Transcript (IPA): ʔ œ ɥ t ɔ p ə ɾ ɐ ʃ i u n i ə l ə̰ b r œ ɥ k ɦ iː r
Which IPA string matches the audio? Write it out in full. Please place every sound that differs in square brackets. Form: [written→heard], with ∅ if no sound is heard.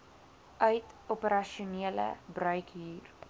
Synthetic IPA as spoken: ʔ œ ɥ t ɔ p ə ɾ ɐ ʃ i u n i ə l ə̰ b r œ ɥ k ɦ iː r